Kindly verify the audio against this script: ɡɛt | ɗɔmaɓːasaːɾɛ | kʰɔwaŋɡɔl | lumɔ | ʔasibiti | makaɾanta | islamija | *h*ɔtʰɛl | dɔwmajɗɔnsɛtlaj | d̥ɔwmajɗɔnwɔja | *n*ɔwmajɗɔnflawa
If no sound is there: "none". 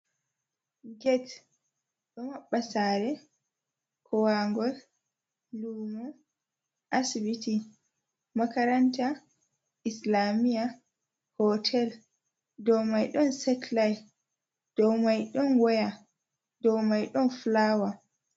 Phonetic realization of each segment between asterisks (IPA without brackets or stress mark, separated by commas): h, d